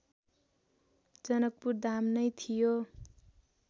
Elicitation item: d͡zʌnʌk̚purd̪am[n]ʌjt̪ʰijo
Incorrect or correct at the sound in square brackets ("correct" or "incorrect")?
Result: correct